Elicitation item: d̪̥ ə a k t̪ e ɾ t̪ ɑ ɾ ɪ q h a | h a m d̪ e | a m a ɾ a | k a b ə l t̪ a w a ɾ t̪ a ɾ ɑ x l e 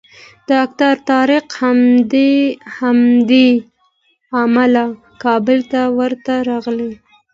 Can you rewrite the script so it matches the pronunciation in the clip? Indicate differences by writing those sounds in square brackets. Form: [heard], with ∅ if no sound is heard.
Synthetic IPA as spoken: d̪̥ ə a k t̪ [a] ɾ t̪ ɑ ɾ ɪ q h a | h a m d̪ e | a m a [l] a | k [ɑ] b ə l t̪ a w [ə] ɾ t̪ a ɾ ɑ [ɣ] l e